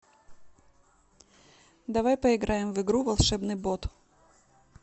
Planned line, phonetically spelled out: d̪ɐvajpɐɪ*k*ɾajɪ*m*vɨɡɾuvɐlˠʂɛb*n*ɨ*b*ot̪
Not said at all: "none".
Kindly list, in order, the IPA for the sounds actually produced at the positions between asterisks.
ɡ, m, n, b

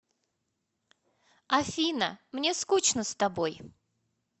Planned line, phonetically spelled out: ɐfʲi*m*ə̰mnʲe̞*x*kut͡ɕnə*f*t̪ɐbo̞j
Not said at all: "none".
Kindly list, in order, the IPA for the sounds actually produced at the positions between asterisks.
n, s, s

